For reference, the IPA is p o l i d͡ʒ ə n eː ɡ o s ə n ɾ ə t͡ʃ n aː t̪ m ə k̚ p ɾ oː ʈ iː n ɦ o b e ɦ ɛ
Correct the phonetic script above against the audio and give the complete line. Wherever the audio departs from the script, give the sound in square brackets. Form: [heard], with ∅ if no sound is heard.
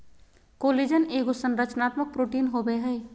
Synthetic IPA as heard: [k] o l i d͡ʒ ə n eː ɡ o s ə n ɾ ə t͡ʃ n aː t̪ m ə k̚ p ɾ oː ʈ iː n ɦ o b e ɦ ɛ